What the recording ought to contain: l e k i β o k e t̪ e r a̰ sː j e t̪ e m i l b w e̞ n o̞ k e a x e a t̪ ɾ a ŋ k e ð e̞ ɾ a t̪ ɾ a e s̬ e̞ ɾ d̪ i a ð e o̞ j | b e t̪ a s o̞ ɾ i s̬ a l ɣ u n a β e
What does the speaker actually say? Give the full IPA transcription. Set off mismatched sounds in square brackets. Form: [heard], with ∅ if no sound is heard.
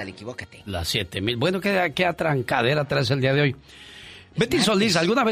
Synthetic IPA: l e k i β o k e t̪ e [l] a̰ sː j e t̪ e m i l b w e̞ n o̞ k e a [k] e a t̪ ɾ a ŋ k [a] ð e̞ ɾ a t̪ ɾ a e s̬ e̞ [l] d̪ i a ð e o̞ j | b e t̪ [i] s o̞ [l] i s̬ a l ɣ u n a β e